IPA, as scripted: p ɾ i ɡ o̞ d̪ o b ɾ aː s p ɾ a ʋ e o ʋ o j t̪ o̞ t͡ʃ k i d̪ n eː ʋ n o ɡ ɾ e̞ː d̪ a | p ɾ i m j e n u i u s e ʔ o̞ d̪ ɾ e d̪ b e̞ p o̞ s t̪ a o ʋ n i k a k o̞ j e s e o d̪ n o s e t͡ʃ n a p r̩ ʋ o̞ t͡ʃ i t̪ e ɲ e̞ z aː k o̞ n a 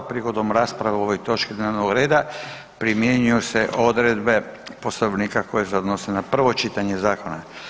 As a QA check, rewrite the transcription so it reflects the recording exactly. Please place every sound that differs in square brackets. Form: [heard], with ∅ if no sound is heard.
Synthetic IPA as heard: p ɾ i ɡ o̞ d̪ o [m] ɾ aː s p ɾ a ʋ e o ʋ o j t̪ o̞ t͡ʃ k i d̪ n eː ʋ n o ɡ ɾ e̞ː d̪ a | p ɾ i m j e [ɲ] u [j] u s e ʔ o̞ d̪ ɾ e d̪ b e̞ p o̞ s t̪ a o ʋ n i k a k o̞ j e s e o d̪ n o s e [∅] n a p r̩ ʋ o̞ t͡ʃ i t̪ [a] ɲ e̞ z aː k o̞ n a